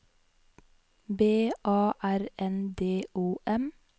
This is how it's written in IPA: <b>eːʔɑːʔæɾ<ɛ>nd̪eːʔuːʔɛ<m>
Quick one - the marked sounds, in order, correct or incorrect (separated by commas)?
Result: correct, correct, correct